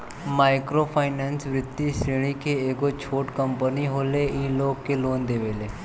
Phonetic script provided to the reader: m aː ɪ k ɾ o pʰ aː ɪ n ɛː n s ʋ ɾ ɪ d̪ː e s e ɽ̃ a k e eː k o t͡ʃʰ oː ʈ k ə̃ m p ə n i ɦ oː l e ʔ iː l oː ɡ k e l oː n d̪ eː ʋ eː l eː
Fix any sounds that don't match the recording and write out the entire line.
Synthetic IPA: m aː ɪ k ɾ o pʰ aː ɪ n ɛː n s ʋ ɾ ɪ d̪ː i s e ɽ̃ i k e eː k o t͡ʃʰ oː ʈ k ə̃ m p ə n i ɦ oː l e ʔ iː l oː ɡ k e l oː n d̪ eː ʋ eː l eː